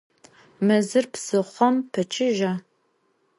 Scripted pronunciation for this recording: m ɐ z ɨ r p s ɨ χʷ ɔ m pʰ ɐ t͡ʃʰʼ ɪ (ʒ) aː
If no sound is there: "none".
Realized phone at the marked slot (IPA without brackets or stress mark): ʒ